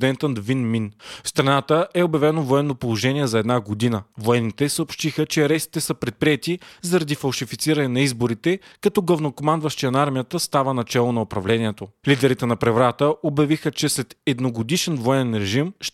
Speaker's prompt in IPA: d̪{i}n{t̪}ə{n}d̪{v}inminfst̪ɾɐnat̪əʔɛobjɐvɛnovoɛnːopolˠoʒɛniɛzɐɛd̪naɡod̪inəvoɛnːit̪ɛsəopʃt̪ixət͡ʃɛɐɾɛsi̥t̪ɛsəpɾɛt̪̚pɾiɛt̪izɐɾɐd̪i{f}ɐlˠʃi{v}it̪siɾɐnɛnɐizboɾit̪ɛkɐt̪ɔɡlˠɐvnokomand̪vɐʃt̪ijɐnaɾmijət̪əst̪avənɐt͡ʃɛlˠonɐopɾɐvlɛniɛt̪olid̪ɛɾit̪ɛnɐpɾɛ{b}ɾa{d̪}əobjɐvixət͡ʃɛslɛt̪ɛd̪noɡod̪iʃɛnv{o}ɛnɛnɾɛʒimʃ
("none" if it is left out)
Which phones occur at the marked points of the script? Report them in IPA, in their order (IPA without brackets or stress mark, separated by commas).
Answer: ɛ, t̪, n, v, f, f, v, t̪, o